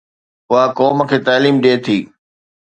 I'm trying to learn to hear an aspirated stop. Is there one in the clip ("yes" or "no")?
yes